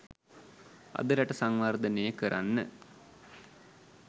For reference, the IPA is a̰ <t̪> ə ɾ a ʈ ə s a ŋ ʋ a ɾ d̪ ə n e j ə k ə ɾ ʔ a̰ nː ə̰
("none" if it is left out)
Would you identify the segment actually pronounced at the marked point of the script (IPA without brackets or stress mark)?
d̪